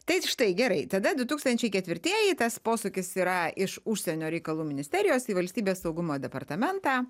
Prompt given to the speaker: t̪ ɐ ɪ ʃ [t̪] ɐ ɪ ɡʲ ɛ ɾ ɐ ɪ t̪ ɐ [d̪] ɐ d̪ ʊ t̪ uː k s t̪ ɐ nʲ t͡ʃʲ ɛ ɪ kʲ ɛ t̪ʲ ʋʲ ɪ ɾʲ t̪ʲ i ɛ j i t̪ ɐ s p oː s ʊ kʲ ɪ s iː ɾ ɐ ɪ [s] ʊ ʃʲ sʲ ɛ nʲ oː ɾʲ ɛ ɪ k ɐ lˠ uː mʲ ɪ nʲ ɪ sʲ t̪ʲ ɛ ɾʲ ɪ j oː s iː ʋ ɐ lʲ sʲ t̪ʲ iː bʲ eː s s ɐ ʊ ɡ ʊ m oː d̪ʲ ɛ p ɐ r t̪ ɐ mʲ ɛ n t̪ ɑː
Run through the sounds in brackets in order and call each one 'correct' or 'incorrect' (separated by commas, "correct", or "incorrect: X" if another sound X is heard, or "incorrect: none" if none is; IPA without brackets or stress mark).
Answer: correct, correct, incorrect: ʃ